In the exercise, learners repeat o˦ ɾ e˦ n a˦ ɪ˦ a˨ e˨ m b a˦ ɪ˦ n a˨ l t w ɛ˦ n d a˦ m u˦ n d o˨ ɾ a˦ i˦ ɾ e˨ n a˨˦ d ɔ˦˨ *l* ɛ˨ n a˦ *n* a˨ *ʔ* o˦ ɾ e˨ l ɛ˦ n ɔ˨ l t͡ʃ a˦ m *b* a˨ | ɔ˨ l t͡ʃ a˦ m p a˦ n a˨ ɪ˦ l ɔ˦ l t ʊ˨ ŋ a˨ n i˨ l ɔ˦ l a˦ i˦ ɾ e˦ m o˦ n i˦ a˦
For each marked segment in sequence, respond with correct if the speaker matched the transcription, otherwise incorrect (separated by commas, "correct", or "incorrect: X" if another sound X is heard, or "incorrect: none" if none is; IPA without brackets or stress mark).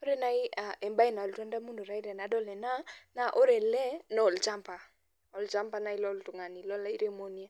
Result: correct, correct, correct, incorrect: p